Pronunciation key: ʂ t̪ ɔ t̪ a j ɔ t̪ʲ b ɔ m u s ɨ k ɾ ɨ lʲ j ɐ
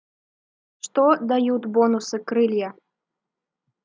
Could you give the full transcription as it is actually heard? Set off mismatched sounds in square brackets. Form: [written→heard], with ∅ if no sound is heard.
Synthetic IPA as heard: ʂ t̪ ɔ [t̪→d̪] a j [ɔ→u] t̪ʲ b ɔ [m→n] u s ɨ k ɾ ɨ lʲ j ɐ